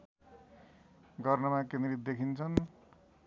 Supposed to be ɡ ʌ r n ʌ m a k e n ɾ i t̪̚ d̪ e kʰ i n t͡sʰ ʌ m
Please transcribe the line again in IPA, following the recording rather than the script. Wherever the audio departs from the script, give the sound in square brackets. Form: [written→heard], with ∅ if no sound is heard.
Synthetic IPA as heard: ɡ ʌ r n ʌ m a k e n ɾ i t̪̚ d̪ e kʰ i n t͡sʰ ʌ [m→n]